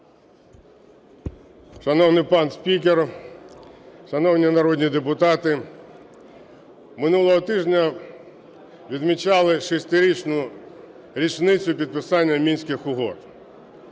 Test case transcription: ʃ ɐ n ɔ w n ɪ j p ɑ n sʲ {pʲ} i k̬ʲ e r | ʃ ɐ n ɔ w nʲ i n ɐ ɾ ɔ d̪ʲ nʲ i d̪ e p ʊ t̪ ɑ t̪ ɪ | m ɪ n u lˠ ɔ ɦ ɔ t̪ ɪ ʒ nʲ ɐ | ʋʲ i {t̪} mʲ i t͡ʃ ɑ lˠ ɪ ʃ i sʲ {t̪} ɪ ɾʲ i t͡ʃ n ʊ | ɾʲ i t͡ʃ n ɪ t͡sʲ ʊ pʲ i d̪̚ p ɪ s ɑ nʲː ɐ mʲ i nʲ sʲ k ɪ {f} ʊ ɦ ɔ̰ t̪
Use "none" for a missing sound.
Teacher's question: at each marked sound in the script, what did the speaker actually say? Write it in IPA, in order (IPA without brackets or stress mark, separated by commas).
pʲ, d̪, t̪, x